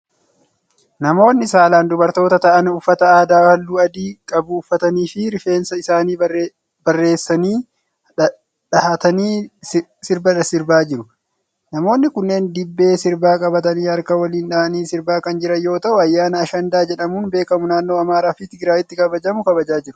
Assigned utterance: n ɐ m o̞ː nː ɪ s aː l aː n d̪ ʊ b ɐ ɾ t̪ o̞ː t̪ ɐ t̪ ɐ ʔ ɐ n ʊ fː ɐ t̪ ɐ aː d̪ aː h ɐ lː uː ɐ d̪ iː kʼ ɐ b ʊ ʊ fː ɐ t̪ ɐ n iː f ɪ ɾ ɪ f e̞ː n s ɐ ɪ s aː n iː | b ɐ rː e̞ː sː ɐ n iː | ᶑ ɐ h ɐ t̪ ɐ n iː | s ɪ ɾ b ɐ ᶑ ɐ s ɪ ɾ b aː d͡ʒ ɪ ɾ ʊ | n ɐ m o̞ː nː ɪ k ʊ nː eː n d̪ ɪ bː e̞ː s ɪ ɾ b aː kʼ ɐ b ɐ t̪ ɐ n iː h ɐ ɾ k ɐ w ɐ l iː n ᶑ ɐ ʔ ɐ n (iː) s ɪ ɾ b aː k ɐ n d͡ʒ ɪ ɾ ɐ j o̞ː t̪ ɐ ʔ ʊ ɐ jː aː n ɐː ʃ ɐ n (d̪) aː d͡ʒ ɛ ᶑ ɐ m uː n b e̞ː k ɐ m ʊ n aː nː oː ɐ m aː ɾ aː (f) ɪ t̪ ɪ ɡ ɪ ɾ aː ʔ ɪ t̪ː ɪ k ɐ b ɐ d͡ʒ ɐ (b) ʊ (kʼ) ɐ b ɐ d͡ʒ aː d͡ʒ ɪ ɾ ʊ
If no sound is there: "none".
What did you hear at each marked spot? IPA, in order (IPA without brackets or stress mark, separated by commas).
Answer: iː, d̪, f, m, k